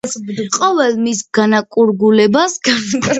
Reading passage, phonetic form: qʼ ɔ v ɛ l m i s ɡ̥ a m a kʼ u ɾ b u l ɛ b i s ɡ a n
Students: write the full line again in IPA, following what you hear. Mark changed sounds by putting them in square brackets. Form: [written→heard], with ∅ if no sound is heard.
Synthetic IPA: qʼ ɔ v ɛ l m i s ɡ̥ a [m→n] a kʼ u ɾ [b→ɡ] u l ɛ b [i→a] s ɡ a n

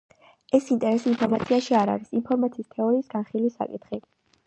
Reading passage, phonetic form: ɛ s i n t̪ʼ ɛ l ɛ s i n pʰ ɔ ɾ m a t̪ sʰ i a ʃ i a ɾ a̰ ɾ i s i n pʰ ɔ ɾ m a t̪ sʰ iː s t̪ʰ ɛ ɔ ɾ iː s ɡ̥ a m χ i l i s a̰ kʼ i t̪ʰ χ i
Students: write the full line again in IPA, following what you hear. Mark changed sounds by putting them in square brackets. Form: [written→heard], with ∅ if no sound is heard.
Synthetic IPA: ɛ s i n t̪ʼ ɛ [l→ɾ] ɛ s i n pʰ ɔ ɾ m a t̪ sʰ i a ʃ i a ɾ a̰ ɾ i s i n pʰ ɔ ɾ m a t̪ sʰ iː s t̪ʰ ɛ ɔ ɾ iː s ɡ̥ a [m→n] χ i l i s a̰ kʼ i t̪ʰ χ i

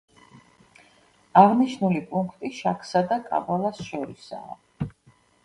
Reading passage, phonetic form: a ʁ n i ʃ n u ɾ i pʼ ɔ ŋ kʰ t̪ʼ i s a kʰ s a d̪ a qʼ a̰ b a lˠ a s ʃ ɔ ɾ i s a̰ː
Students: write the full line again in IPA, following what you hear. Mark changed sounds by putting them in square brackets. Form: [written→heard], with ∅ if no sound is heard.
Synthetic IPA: a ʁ n i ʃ n u [ɾ→l] i pʼ [ɔ→u] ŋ kʰ t̪ʼ i [s→ʃ] a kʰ s a d̪ a [qʼ→kʼ] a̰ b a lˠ a s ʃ ɔ ɾ i s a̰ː

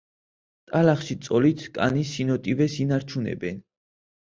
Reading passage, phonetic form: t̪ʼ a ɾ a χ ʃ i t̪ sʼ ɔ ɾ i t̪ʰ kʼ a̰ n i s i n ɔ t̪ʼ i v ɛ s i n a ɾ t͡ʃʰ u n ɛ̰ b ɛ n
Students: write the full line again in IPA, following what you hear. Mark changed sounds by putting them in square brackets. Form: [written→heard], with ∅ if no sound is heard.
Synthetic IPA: t̪ʼ a [ɾ→l] a χ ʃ i t̪ sʼ ɔ [ɾ→l] i t̪ʰ kʼ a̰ n i s i n ɔ t̪ʼ i v ɛ s i n a ɾ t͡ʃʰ u n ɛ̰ b ɛ n

